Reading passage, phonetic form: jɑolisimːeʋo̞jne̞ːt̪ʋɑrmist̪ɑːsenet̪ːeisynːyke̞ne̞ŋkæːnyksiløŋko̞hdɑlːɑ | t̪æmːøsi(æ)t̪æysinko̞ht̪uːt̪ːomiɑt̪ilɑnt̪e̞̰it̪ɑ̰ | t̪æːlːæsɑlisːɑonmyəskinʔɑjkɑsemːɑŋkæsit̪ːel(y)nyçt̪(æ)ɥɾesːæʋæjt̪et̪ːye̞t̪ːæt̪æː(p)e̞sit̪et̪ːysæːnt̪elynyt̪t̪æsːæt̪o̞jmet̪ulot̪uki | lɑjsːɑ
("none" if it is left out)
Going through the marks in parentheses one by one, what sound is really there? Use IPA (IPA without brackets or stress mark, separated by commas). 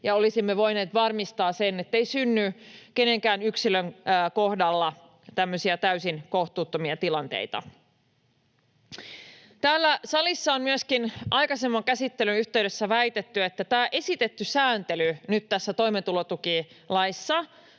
æ, y, e, ʔ